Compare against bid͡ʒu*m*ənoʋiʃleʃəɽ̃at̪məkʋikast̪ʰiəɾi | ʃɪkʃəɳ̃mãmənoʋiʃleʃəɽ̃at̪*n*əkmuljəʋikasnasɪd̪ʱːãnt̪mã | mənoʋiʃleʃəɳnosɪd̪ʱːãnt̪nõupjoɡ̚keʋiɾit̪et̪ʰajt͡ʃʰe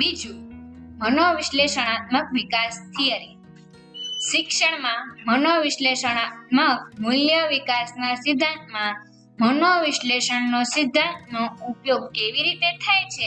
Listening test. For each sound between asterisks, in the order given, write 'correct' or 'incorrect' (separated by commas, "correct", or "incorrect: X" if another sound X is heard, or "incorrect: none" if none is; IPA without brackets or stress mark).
correct, incorrect: m